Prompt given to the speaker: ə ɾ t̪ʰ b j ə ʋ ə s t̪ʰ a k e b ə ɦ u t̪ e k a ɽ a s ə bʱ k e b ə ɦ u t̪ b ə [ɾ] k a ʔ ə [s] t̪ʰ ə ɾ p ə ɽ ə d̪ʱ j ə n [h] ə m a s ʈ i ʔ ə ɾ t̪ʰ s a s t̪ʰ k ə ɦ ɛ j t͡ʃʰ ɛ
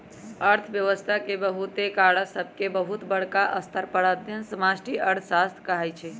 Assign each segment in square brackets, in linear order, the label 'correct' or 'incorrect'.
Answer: incorrect: ɽ, correct, incorrect: s

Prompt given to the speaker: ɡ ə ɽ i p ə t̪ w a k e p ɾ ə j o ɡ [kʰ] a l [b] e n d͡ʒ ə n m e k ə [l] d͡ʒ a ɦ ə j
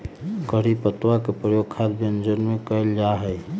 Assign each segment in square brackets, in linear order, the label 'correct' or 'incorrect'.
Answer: correct, correct, correct

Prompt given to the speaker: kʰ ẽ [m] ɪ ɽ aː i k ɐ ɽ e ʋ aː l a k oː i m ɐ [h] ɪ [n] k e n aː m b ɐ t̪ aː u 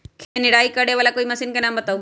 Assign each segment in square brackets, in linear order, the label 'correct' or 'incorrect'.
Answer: incorrect: n, incorrect: s, correct

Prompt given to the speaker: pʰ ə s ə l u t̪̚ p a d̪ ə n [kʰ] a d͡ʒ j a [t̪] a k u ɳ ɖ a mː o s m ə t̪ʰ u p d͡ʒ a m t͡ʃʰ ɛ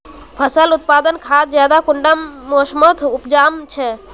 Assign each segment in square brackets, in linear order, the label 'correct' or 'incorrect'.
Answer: correct, incorrect: d̪

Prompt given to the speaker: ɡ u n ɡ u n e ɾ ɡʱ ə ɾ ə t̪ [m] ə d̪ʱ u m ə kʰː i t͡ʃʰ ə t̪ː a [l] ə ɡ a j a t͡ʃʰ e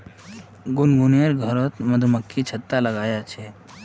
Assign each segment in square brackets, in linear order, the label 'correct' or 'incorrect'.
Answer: correct, correct

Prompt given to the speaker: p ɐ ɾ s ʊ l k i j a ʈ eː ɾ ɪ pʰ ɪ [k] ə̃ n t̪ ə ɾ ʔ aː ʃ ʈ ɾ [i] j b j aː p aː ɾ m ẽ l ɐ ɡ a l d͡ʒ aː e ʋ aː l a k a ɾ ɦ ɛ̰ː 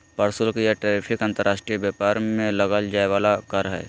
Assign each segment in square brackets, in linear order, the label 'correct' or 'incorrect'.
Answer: correct, correct

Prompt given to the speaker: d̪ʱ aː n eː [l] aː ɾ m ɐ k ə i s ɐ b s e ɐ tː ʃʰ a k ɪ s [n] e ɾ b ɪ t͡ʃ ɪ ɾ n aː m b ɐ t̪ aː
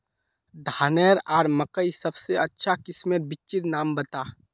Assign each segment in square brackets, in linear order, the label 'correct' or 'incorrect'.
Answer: incorrect: ɾ, incorrect: m

